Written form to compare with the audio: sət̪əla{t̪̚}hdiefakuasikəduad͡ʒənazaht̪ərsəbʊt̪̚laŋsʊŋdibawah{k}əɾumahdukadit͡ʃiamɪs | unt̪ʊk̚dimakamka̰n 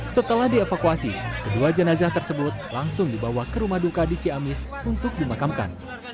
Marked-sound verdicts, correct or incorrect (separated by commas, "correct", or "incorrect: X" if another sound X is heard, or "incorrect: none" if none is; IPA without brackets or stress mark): incorrect: none, correct